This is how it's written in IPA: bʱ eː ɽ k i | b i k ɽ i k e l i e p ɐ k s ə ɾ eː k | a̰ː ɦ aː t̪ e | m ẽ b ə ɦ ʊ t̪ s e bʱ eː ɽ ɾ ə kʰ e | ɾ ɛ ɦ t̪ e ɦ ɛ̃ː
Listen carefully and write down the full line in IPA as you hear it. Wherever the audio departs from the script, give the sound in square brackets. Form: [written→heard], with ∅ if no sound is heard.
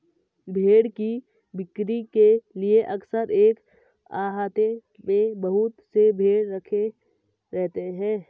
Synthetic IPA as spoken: bʱ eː ɽ k i | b [i→ɪ] k [ɽ→ɾ] i k e l i e [p→ʔ] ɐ k s ə ɾ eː k | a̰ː ɦ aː t̪ e | m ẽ b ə ɦ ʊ t̪ s e bʱ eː ɽ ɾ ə kʰ e | ɾ ɛ ɦ t̪ e ɦ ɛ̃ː